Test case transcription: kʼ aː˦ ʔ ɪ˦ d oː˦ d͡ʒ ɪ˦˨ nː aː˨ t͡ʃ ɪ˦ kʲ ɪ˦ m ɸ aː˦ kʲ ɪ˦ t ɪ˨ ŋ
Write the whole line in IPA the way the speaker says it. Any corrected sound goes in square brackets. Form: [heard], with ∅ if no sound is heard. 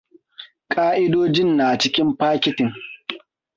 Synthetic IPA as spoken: kʼ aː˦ ʔ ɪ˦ d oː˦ d͡ʒ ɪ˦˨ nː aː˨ t͡ʃ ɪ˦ kʲ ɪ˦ m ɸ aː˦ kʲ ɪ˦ t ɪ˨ ŋ